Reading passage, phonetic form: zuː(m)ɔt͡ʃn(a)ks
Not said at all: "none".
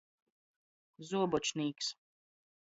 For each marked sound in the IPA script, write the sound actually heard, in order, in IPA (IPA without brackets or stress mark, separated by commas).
b, i